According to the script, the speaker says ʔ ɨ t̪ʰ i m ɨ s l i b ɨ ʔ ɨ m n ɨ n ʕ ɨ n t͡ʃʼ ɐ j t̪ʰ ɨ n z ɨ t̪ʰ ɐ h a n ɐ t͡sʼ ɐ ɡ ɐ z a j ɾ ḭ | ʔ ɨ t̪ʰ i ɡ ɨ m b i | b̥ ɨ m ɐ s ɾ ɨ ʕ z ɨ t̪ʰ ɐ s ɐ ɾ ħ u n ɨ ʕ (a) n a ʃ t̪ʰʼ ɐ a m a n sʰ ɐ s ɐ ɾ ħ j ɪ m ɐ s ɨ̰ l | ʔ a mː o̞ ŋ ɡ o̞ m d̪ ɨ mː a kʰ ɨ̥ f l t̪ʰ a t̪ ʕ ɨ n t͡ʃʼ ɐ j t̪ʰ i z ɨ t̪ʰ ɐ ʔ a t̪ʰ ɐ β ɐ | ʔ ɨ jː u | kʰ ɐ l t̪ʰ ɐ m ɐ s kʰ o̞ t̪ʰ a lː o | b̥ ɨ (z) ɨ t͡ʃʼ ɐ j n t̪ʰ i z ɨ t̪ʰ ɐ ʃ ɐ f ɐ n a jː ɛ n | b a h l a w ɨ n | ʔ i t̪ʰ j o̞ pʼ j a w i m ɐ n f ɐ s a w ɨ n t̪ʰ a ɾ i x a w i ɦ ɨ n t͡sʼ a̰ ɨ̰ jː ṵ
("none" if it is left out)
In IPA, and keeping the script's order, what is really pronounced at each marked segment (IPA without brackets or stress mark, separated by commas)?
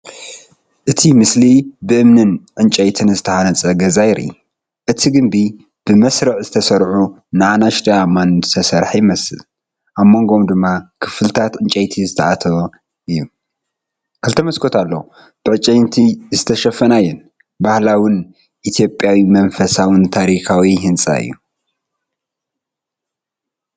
a, ʕ